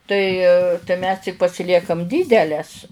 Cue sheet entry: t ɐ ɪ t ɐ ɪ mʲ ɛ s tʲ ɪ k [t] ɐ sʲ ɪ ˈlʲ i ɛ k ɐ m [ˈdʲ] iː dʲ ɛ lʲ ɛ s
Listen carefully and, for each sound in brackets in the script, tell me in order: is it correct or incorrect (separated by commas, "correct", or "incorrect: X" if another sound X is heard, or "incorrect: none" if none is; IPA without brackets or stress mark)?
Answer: incorrect: p, correct